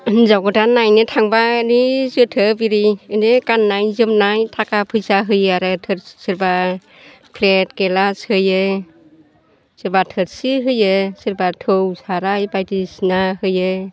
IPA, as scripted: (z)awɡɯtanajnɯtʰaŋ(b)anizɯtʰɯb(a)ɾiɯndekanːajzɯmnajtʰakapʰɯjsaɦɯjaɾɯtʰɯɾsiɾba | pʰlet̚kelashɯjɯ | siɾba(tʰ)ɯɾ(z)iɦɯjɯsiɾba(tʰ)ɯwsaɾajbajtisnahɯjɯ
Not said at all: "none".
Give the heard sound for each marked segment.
z, b, i, tʰ, s, tʰ

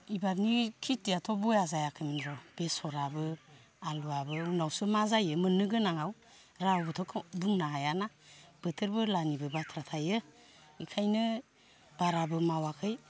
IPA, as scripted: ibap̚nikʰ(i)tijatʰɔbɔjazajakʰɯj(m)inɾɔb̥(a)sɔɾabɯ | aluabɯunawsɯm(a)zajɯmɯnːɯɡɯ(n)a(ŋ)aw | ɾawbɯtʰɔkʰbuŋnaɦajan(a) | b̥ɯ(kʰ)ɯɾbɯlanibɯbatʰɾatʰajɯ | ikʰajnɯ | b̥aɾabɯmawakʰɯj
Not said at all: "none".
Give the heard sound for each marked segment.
i, m, e, a, n, ŋ, a, tʰ

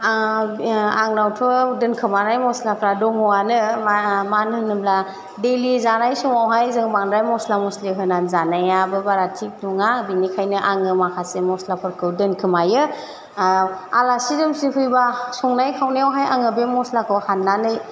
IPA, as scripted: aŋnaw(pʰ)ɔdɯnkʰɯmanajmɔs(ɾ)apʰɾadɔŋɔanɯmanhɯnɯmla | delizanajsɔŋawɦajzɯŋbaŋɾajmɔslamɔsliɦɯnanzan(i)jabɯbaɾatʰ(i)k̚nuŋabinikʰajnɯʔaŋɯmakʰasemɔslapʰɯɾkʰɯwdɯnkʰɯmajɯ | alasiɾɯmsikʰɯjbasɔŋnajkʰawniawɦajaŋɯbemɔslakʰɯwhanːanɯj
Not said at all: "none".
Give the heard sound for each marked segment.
tʰ, l, a, i

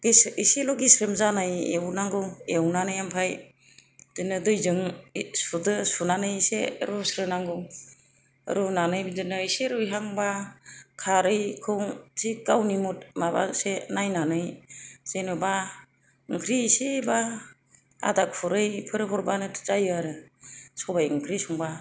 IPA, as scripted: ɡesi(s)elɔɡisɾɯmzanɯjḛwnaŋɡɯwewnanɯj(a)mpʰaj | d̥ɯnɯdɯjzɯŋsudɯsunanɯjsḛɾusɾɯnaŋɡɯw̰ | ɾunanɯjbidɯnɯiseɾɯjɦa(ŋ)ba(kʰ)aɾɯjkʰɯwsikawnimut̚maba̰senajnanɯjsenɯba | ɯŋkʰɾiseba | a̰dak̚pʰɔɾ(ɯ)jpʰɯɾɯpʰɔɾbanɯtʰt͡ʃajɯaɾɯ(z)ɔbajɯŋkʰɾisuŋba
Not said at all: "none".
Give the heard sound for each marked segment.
s, a, ŋ, kʰ, ɯ, s

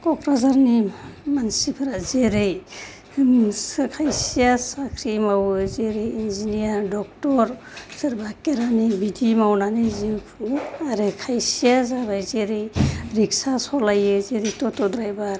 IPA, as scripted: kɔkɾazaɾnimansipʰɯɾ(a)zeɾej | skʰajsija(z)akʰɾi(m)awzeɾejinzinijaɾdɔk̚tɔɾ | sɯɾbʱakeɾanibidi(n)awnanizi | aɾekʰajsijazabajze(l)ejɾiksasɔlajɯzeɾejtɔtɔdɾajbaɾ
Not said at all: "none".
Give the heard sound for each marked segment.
a, s, m, m, ɾ

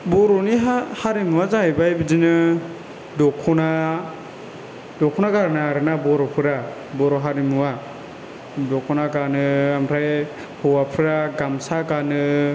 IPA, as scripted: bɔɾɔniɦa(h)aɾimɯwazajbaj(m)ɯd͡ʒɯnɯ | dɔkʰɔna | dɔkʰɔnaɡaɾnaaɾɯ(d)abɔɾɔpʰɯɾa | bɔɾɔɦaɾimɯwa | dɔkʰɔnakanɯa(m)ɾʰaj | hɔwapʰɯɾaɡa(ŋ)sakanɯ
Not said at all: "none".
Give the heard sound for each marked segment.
h, b, n, m, m

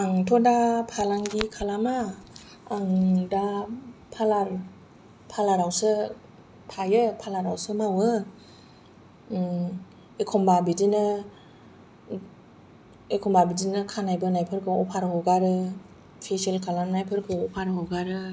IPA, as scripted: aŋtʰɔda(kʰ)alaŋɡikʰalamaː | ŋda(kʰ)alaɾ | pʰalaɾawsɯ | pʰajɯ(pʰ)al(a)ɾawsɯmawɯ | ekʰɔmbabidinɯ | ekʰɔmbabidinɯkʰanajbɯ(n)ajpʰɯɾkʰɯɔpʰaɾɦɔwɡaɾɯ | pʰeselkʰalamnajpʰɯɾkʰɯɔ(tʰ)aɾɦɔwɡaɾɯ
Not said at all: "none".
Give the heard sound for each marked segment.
pʰ, pʰ, pʰ, a, n, pʰ

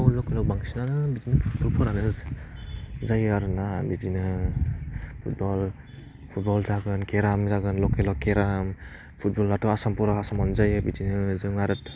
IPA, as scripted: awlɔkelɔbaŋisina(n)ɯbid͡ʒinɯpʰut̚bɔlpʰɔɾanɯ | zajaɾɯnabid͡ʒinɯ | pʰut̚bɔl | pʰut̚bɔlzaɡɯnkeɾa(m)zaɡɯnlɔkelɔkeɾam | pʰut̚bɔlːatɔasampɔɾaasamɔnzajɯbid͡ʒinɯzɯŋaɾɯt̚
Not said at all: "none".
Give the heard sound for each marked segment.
n, m

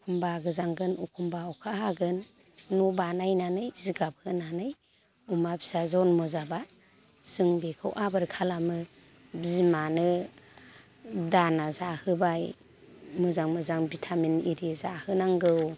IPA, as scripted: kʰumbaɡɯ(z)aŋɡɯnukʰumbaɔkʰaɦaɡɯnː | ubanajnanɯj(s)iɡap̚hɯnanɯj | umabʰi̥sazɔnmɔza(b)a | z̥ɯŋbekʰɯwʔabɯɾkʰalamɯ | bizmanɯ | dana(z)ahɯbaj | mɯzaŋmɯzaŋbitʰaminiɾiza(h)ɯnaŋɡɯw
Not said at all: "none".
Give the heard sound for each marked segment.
z, z, b, z, h

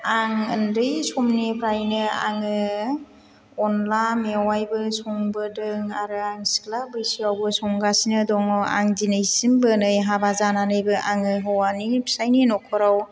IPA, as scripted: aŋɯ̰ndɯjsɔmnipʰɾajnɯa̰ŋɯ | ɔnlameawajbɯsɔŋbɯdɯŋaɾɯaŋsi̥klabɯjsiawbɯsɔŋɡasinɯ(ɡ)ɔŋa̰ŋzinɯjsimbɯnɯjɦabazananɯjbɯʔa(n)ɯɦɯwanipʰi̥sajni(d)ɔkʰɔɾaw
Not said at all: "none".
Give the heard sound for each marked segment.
d, ŋ, n

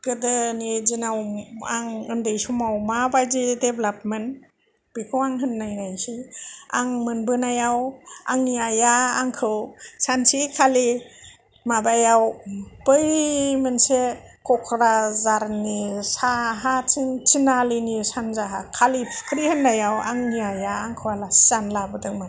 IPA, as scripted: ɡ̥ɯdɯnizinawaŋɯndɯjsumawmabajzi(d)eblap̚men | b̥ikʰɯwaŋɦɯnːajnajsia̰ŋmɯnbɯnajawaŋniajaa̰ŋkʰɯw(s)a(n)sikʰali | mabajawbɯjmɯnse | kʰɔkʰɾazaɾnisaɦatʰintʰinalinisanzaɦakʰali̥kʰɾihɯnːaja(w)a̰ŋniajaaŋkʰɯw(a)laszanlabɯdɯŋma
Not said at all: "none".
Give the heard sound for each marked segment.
d, s, n, w, a

